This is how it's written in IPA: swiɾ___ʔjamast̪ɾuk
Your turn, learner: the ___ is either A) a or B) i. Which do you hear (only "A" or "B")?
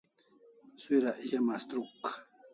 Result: A